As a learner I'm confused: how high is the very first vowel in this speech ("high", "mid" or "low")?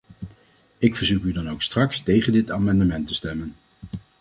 high